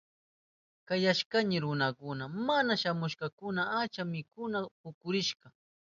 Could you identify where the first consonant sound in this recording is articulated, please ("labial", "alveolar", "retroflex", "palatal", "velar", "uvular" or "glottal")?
velar